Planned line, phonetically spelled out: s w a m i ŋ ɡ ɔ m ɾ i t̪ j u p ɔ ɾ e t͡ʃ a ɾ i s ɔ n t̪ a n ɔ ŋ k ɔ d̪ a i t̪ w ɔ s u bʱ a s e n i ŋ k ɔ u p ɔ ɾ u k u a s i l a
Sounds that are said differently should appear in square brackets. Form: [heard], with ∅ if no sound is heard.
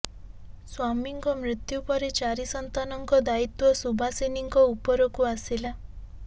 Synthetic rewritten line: s w a m i ŋ [k] ɔ m ɾ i t̪ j u p ɔ ɾ e t͡ʃ a ɾ i s ɔ n t̪ a n ɔ ŋ k ɔ d̪ a i t̪ w ɔ s u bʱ a s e n i ŋ k ɔ u p ɔ ɾ [ɔ] k u a s i l a